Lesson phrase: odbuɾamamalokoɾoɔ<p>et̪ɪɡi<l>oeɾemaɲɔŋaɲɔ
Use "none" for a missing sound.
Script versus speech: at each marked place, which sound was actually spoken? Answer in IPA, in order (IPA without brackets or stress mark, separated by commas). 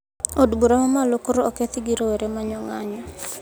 k, ɾ